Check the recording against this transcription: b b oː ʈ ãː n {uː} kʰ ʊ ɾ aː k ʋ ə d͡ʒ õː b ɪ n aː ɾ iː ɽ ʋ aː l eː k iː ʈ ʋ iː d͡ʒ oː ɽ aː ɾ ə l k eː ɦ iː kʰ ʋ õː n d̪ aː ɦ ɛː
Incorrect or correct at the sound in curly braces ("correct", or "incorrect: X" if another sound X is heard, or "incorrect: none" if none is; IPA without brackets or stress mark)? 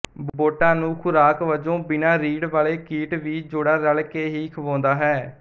incorrect: ũː